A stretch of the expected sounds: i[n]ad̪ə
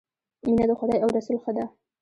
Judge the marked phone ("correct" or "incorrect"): correct